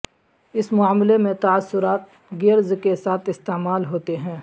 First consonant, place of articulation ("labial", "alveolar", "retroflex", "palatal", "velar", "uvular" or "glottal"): alveolar